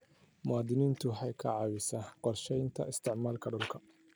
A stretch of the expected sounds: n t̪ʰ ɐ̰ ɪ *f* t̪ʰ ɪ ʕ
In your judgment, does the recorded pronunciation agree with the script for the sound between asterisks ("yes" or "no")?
no